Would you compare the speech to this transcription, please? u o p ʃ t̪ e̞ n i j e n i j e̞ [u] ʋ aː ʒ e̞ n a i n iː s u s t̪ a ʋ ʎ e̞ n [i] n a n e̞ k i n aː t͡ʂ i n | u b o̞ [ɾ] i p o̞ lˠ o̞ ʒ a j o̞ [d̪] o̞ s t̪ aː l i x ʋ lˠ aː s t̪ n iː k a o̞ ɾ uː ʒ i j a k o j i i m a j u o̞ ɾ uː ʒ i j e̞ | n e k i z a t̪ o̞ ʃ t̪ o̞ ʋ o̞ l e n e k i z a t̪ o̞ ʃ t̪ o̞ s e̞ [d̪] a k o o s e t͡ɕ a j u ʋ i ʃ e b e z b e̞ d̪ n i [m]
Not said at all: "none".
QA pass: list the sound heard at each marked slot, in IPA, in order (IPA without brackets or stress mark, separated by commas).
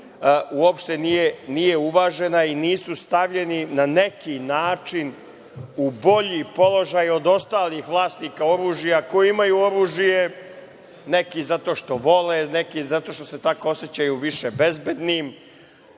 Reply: u, i, ʎ, d̪, t̪, m